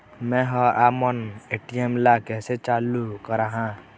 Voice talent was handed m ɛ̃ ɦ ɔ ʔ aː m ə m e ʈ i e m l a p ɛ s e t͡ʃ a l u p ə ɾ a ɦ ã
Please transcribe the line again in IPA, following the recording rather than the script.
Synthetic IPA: m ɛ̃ ɦ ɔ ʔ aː m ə n e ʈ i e m l a k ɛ s e t͡ʃ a l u k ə ɾ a ɦ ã